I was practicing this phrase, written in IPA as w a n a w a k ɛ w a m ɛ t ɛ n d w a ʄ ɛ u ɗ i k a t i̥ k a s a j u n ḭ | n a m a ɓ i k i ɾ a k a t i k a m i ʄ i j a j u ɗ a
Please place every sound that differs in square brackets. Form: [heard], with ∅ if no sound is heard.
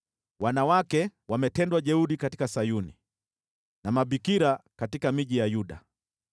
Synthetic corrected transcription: w a n a w a k ɛ w a m ɛ t ɛ n d w a ʄ ɛ u ɗ i k a t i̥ k a s a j u n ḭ | n a m a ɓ i k i ɾ a k a t i k a m i ʄ i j a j u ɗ a